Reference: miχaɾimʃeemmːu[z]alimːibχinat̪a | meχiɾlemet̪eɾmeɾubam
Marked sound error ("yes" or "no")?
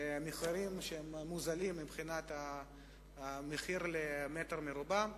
no